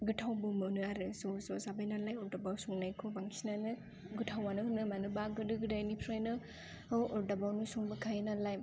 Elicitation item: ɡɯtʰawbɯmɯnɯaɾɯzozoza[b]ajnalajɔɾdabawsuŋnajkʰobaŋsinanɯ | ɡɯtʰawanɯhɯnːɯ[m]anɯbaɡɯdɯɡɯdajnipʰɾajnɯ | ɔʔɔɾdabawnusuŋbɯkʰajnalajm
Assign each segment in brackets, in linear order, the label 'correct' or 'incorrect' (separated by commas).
correct, correct